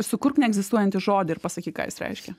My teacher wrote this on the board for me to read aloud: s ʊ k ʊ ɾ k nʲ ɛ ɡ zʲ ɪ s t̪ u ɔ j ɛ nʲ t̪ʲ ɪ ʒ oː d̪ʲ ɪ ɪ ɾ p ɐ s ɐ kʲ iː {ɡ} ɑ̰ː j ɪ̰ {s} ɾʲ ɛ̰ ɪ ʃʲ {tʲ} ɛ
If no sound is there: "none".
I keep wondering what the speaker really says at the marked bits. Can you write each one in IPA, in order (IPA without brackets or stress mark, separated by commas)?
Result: k, s, kʲ